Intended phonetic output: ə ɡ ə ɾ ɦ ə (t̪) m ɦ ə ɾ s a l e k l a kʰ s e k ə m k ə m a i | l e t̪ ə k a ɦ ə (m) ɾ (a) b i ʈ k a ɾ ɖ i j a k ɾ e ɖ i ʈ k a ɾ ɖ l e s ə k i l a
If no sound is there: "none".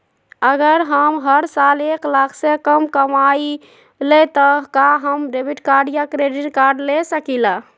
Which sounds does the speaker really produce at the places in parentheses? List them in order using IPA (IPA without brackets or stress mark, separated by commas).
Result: none, m, e